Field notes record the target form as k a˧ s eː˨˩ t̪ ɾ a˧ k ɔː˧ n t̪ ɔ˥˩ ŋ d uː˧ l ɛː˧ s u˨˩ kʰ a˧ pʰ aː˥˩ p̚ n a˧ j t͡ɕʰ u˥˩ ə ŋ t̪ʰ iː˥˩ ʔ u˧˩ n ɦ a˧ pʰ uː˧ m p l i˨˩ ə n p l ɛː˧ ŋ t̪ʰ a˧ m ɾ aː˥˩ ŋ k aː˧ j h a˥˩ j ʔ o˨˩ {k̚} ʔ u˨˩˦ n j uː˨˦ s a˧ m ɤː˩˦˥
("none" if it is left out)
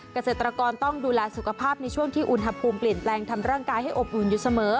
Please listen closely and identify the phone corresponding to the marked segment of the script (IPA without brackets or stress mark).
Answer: p̚